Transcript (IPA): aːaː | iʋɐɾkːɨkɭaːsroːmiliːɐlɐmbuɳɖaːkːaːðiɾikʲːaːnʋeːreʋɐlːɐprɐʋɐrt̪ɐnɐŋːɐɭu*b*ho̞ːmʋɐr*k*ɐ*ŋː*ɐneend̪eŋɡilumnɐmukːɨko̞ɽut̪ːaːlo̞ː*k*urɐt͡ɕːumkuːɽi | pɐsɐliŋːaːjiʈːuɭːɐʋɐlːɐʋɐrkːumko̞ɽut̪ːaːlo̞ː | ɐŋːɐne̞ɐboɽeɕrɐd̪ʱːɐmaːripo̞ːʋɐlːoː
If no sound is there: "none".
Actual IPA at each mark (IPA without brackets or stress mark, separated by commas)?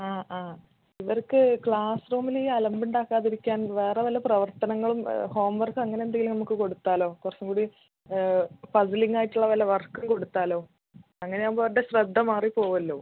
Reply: m, k, ŋː, k